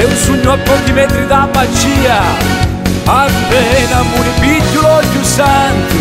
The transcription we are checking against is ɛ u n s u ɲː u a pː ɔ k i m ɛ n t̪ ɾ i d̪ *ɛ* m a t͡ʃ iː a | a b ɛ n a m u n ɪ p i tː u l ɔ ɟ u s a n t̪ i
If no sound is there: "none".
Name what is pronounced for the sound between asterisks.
a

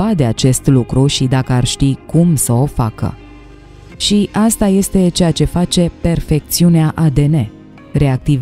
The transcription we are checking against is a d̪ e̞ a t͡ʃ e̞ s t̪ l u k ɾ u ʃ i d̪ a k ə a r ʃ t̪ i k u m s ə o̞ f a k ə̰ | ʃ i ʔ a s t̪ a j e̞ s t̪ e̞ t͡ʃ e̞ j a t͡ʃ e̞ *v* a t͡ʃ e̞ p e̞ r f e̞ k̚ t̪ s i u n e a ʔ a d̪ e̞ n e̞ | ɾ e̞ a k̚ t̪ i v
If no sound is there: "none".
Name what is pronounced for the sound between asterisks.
f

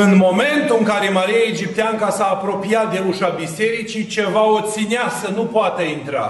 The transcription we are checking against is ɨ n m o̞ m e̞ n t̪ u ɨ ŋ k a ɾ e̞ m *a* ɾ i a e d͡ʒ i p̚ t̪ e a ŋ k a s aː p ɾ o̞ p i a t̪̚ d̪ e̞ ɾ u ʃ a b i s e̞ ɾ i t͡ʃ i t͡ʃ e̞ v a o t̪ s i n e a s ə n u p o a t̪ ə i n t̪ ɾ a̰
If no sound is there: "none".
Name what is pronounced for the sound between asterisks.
a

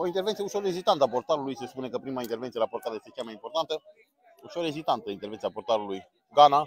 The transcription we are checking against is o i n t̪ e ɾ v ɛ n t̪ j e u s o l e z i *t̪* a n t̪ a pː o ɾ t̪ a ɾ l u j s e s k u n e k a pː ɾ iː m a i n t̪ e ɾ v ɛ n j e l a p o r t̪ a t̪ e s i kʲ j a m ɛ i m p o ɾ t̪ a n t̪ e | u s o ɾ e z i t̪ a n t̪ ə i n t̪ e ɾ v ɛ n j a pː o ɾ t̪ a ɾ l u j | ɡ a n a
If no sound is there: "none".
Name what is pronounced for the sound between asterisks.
t̪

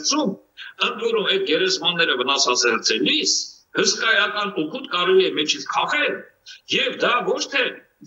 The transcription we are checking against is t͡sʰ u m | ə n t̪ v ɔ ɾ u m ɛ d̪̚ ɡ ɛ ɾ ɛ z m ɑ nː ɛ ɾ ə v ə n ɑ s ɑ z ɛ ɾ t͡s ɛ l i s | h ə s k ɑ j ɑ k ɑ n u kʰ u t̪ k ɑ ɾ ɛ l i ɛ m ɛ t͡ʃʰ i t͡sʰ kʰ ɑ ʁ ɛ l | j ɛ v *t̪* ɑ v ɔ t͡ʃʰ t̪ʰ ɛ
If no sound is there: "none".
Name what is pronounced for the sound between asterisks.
d̪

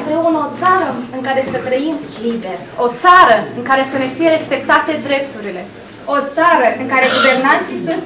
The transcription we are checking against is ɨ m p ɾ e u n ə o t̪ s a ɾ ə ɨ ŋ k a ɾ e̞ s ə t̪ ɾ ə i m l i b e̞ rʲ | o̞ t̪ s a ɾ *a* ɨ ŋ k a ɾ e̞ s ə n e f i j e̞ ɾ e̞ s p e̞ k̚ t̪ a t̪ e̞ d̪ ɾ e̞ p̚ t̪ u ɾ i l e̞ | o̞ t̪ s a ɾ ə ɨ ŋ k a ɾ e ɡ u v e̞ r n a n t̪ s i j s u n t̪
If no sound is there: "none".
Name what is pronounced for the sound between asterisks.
ə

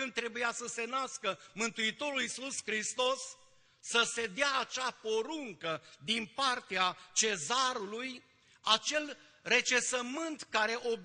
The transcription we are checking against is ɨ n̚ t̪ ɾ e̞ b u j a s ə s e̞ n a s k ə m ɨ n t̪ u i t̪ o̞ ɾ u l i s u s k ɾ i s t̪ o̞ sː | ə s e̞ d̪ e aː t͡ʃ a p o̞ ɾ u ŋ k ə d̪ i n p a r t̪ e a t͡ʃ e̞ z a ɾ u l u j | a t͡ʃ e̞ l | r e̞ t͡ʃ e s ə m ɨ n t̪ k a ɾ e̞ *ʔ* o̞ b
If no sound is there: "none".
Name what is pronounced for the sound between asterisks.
ʔ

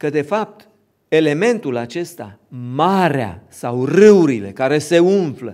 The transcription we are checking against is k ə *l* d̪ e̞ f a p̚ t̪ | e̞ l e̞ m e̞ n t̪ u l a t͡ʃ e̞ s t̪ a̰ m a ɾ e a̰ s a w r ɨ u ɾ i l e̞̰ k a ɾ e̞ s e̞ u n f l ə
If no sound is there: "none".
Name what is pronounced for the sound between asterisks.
none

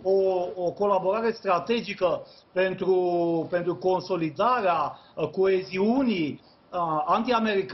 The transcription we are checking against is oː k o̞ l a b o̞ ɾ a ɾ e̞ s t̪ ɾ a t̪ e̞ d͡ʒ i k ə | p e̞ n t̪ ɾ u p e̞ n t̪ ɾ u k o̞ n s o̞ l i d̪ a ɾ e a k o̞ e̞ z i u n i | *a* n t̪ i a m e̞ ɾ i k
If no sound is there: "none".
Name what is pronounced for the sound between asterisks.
a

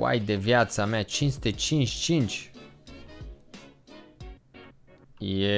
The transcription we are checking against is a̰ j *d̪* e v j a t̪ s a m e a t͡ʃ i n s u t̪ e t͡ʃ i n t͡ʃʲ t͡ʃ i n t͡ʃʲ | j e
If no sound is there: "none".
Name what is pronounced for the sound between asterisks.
d̪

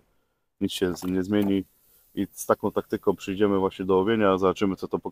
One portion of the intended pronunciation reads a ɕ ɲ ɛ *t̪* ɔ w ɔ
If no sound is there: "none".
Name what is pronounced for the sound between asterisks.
d̪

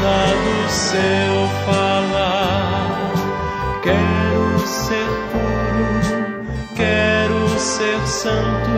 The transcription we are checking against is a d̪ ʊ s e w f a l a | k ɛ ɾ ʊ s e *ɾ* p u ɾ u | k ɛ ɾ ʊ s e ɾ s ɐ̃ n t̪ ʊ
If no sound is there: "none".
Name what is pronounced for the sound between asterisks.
ɾ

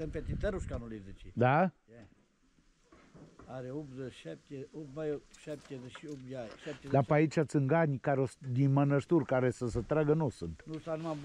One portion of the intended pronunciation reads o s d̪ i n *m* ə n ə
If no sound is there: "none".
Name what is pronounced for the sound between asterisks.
m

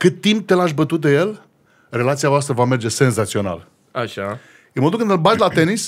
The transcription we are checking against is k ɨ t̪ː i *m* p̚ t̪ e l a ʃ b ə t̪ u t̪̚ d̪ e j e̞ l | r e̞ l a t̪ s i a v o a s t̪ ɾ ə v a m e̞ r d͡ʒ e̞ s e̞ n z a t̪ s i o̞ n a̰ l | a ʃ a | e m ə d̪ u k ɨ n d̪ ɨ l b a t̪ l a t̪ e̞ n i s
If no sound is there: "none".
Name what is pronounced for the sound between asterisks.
m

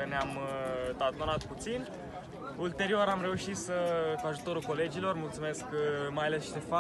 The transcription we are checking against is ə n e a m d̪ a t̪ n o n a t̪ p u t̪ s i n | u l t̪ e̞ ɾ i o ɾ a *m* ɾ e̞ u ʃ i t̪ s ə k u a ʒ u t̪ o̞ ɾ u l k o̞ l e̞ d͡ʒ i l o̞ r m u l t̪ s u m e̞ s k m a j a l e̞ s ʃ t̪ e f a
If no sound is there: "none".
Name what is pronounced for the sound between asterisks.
m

